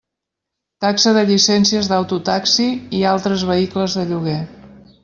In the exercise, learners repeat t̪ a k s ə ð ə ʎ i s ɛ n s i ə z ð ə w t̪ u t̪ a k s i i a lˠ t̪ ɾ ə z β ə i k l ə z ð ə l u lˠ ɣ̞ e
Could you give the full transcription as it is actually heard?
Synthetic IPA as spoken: t̪ a k s ə ð ə ʎ i s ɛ n s i ə z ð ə w t̪ u t̪ a k s i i a lˠ t̪ ɾ ə z β ə i k l ə z ð ə ʎ u ɣ̞ e

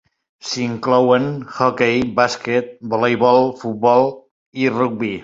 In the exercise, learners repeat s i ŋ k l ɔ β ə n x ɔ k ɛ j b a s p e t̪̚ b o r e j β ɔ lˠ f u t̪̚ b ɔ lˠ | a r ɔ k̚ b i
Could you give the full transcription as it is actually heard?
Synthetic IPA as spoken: s i ŋ k l ɔ w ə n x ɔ k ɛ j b a s k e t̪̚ b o l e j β ɔ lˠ f u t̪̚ b ɔ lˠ | i r u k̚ b i

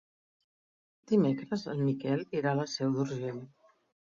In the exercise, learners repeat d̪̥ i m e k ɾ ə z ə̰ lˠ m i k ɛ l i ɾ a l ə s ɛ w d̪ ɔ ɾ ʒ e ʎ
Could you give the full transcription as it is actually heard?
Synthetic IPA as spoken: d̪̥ i m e k ɾ ə z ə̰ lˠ m i k ɛ l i ɾ a l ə s ɛ w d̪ u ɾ ʒ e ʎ

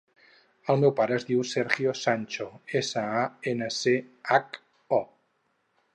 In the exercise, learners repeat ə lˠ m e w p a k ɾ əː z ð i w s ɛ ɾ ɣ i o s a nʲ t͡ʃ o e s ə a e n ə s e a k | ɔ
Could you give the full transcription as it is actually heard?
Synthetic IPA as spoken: ə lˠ m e w p a ɾ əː z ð i w s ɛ ɾ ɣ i o s a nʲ t͡ʃ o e s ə a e n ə s e a k | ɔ

